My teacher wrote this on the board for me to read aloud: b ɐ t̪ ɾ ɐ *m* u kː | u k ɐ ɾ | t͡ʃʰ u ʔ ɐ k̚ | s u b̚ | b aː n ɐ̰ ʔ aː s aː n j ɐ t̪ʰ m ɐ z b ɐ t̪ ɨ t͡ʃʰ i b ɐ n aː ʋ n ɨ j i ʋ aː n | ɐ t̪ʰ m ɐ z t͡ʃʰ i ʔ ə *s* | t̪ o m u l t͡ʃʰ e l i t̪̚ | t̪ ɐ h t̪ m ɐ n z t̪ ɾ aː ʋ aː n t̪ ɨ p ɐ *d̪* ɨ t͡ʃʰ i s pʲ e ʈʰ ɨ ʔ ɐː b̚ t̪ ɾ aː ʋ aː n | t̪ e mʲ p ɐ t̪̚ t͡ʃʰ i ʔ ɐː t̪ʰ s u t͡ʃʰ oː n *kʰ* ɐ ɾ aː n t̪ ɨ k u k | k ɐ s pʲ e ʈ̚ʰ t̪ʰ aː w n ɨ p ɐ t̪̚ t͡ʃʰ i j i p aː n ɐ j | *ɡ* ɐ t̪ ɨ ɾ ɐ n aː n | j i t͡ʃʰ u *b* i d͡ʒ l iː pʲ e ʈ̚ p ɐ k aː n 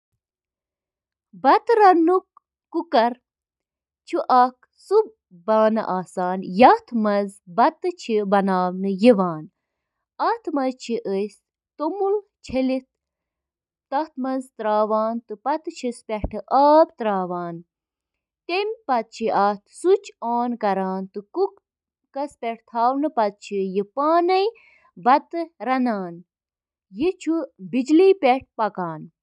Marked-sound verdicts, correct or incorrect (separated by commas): incorrect, correct, incorrect, incorrect, incorrect, correct